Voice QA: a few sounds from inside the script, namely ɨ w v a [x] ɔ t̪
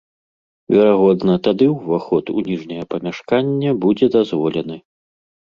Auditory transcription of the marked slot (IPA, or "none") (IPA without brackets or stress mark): x